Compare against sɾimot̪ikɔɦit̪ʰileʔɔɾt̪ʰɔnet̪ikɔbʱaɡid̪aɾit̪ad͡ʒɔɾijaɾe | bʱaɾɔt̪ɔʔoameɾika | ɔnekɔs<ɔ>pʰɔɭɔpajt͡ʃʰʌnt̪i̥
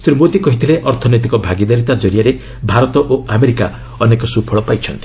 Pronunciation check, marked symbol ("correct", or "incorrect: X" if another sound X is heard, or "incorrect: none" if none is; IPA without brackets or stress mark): incorrect: u